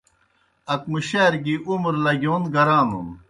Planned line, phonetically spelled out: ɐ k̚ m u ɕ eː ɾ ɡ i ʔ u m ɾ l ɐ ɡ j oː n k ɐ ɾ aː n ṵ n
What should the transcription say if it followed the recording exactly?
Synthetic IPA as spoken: ɐ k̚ m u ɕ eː ɾ ɡ i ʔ u m ɾ l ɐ ɡ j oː n ɡ ɐ ɾ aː n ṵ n